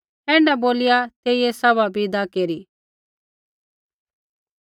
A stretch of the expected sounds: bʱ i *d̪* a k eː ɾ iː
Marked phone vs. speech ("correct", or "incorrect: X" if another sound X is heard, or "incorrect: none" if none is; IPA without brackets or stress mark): correct